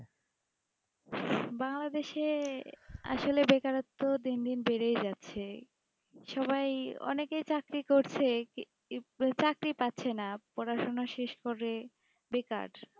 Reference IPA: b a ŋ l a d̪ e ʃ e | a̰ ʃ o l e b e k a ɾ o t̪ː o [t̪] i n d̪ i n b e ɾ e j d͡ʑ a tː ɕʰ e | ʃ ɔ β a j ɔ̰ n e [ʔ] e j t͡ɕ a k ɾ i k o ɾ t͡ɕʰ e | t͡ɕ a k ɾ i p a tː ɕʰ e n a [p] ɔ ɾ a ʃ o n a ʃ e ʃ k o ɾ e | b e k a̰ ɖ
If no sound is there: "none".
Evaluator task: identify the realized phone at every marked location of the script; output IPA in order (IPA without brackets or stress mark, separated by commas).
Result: d̪, k, p